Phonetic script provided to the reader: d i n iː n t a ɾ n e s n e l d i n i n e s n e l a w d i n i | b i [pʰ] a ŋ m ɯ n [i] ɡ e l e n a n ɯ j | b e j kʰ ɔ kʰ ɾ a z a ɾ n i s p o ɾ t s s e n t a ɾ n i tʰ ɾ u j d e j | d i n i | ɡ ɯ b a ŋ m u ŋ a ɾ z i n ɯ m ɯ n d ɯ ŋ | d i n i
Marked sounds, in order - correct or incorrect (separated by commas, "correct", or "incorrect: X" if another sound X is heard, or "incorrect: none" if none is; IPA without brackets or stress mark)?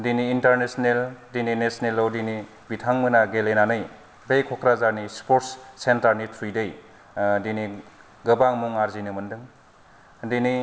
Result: incorrect: tʰ, incorrect: a